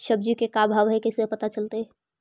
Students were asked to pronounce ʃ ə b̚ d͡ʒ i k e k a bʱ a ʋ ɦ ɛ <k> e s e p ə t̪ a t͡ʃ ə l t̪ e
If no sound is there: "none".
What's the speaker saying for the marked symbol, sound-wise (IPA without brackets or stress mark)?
k